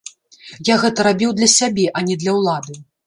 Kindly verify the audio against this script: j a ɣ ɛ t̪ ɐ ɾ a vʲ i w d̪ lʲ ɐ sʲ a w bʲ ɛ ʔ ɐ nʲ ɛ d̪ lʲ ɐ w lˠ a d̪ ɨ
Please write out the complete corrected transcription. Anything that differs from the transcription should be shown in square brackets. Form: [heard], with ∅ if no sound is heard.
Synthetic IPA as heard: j a ɣ ɛ t̪ ɐ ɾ a [bʲ] i w d̪ lʲ ɐ sʲ a [∅] bʲ ɛ ʔ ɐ nʲ ɛ d̪ lʲ ɐ w lˠ a d̪ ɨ